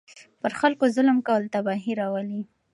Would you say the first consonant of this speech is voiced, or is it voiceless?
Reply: voiceless